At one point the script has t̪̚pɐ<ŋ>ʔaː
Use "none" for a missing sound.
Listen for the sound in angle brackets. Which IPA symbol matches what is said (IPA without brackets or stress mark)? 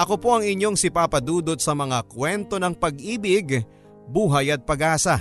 ɡ